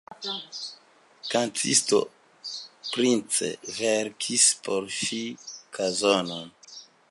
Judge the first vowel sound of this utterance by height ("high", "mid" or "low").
low